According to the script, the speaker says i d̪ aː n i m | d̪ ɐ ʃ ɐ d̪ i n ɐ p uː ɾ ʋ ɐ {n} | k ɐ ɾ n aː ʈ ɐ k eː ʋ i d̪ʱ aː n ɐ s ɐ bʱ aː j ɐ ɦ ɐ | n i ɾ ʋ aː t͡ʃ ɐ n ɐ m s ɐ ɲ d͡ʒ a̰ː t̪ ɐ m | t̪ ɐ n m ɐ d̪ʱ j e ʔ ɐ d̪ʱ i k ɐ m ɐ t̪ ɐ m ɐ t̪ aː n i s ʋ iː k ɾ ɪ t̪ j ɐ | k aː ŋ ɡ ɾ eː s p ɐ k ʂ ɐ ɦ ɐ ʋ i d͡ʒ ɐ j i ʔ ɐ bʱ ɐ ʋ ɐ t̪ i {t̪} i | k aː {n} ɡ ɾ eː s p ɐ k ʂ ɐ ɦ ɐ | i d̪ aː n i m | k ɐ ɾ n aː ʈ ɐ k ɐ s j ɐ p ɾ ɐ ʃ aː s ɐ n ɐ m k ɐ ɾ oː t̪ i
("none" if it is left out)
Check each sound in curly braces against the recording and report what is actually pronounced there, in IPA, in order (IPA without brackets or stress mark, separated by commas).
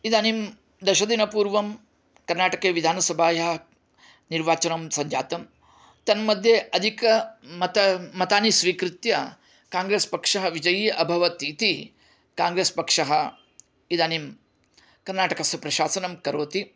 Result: m, t̪, ŋ